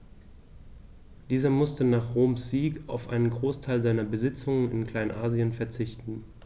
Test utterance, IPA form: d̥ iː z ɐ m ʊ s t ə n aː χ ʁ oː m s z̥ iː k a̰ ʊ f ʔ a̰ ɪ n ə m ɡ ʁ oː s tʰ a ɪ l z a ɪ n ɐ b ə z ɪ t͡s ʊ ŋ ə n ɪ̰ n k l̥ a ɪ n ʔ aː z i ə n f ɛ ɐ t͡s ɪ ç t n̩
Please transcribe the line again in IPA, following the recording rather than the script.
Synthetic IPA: d̥ iː z ɐ m ʊ s t ə n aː χ ʁ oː m s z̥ iː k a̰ ʊ f ʔ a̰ ɪ n ə n ɡ ʁ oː s tʰ a ɪ l z a ɪ n ɐ b ə z ɪ t͡s ʊ ŋ ə n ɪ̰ n k l̥ a ɪ n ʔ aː z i ə n f ɛ ɐ t͡s ɪ ç t n̩